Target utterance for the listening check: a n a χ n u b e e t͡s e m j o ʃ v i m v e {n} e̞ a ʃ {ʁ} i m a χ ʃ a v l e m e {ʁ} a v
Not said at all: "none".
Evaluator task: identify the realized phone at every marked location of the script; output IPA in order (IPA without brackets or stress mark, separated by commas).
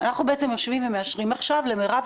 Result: m, ʁ, ʁ